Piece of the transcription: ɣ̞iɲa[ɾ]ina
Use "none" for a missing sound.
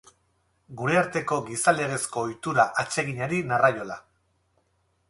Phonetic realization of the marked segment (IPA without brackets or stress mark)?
ɾ